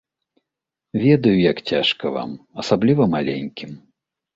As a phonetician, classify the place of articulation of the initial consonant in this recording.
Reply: labial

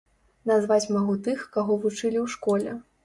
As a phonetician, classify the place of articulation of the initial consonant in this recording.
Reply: alveolar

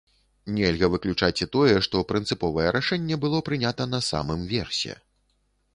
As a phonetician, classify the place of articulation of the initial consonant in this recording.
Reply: alveolar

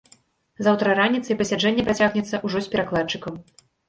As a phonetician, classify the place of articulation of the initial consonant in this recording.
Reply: alveolar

